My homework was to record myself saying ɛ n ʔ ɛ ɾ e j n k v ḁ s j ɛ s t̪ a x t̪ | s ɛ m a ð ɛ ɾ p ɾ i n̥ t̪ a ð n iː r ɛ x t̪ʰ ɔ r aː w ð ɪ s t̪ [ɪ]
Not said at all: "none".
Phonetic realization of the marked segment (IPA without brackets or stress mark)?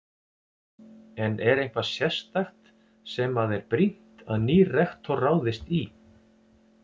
i